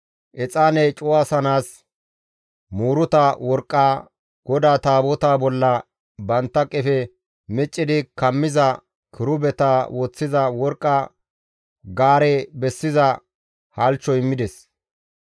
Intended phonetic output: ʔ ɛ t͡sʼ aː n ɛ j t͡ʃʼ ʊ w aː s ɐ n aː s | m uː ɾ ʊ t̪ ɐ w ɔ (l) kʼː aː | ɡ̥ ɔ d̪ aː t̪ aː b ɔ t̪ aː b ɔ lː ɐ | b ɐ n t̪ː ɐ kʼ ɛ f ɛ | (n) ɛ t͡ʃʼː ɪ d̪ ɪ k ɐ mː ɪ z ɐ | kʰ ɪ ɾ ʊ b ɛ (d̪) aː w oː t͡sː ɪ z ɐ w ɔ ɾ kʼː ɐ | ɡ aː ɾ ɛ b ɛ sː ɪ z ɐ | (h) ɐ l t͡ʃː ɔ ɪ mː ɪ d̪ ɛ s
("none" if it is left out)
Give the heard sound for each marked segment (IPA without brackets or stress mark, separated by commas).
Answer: ɾ, m, t̪, h